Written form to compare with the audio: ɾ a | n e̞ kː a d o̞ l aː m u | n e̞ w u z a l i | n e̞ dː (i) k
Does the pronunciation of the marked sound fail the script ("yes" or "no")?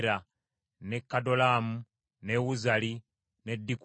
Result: no